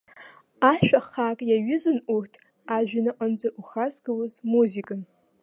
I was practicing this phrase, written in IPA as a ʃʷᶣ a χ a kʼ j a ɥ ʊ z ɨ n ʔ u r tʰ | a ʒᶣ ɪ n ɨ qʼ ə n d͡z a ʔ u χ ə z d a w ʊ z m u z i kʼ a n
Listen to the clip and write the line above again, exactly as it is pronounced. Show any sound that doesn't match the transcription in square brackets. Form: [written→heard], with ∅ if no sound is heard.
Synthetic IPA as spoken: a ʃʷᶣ a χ a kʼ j a ɥ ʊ z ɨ n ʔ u r tʰ | a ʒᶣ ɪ n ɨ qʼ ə n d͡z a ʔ u χ [ə→a] z [d→ɡ] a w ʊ z m u z i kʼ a n